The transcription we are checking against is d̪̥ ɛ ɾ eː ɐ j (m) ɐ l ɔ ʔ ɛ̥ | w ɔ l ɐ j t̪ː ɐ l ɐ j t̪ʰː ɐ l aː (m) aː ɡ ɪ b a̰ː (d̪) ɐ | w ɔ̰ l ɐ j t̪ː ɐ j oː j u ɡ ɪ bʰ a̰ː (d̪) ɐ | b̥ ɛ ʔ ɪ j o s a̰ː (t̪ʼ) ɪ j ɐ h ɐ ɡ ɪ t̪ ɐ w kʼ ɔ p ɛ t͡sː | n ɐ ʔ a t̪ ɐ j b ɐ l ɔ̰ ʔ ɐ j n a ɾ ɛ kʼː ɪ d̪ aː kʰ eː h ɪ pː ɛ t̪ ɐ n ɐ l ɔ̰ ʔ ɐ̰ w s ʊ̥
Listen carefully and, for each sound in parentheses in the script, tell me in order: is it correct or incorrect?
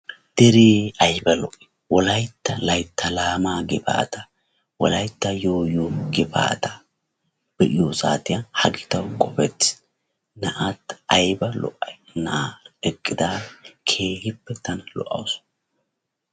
incorrect: b, correct, incorrect: t̪, incorrect: t̪, incorrect: t̪

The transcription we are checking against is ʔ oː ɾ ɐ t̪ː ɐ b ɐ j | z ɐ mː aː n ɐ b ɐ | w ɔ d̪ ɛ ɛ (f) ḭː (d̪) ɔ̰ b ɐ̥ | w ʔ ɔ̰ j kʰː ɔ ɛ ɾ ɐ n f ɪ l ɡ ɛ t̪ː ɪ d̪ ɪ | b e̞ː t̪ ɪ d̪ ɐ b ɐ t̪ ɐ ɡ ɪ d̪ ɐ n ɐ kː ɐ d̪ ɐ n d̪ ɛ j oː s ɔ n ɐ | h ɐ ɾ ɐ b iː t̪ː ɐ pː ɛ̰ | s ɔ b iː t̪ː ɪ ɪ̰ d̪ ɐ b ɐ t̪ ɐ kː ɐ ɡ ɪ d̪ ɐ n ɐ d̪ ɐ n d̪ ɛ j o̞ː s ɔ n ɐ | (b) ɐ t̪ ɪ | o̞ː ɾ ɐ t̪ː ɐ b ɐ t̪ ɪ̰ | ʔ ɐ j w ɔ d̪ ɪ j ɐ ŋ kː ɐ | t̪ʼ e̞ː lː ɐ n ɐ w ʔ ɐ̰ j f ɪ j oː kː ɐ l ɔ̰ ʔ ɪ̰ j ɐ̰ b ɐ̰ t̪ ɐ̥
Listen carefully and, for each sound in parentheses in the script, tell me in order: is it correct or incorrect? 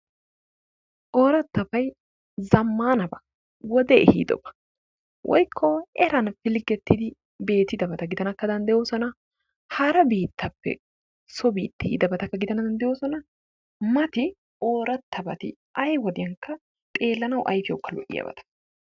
incorrect: h, correct, incorrect: m

